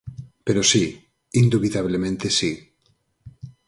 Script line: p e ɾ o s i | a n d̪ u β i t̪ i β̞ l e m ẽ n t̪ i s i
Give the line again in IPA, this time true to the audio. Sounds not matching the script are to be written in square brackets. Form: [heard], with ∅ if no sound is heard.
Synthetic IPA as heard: p e ɾ o s i | [i] n d̪ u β i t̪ [a] β̞ l e m ẽ n t̪ [e] s i